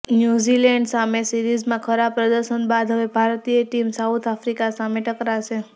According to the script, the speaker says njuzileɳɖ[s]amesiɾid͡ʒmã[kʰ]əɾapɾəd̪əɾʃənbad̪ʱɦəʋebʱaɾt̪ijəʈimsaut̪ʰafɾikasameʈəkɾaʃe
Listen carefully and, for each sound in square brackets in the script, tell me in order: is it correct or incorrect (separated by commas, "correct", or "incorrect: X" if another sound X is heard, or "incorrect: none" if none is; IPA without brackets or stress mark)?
correct, correct